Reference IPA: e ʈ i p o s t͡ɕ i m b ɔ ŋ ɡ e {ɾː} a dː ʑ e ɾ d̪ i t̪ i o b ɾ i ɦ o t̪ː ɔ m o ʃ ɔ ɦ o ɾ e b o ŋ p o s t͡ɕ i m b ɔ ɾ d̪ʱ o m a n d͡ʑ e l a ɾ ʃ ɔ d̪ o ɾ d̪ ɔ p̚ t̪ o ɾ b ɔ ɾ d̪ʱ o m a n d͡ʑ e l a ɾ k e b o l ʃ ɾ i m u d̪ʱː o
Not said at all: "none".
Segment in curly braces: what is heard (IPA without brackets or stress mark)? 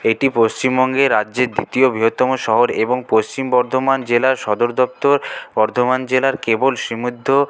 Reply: ɾ